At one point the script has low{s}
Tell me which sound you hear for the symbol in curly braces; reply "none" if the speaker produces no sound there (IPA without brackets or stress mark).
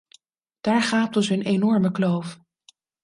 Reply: f